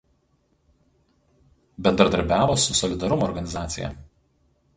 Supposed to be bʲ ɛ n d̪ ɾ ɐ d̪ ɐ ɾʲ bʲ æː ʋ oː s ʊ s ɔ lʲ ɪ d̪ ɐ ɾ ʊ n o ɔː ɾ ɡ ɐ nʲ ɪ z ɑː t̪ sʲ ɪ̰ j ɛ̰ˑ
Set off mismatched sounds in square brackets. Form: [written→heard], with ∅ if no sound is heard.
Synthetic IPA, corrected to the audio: bʲ ɛ n d̪ ɾ ɐ d̪ ɐ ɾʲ bʲ æː ʋ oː s ʊ s ɔ lʲ ɪ d̪ ɐ ɾ ʊ [n→m] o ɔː ɾ ɡ ɐ nʲ ɪ z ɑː t̪ sʲ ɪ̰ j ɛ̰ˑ